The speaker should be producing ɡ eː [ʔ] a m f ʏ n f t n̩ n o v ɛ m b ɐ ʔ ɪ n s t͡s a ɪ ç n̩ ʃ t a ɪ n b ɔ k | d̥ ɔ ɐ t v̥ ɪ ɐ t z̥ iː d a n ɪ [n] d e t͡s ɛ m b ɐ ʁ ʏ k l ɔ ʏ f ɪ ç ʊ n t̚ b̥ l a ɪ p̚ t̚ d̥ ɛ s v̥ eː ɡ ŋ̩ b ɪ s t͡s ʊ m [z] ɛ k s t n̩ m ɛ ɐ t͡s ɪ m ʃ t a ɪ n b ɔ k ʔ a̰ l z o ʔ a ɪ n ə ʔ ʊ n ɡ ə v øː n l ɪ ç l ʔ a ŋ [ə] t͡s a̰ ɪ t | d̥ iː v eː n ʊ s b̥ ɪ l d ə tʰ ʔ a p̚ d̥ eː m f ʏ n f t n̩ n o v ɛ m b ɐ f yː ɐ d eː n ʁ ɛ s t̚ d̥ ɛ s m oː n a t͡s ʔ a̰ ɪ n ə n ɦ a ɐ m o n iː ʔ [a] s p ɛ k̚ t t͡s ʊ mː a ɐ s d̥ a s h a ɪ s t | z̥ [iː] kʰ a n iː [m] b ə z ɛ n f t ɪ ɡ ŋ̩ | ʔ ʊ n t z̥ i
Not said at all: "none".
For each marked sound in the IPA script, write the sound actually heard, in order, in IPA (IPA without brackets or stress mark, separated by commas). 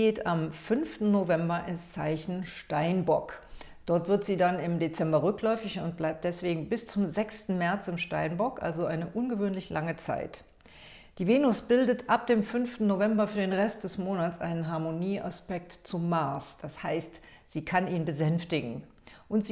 t, m, z, ə, a, iː, n